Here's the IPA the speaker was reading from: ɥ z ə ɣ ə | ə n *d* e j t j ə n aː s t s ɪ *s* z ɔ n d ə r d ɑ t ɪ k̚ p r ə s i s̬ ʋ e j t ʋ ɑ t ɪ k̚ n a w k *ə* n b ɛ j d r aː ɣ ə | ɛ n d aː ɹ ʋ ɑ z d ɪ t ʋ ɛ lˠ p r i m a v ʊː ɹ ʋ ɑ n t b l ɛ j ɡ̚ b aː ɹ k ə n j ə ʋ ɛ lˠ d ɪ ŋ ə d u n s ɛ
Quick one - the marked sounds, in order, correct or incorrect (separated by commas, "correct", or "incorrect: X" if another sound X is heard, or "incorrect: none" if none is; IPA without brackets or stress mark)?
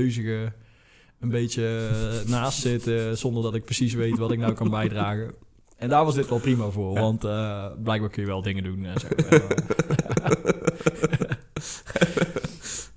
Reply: incorrect: b, incorrect: t, incorrect: ɑ